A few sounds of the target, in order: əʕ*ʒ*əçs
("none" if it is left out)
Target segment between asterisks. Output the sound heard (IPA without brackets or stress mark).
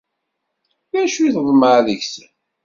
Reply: ð